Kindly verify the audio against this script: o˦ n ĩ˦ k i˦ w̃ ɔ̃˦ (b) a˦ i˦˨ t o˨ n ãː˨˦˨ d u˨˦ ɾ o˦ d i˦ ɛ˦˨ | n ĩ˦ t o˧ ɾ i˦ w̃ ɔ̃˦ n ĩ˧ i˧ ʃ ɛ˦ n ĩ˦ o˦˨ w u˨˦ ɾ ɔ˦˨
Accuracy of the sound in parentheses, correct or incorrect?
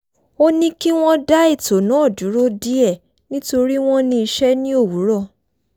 incorrect